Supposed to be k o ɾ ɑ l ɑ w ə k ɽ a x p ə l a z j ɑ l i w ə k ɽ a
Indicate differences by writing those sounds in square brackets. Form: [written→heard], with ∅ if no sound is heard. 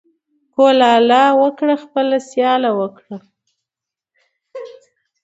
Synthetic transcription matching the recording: k o [ɾ→l] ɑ l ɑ w ə k ɽ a x p ə l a [z→s] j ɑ l [i→a] w ə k ɽ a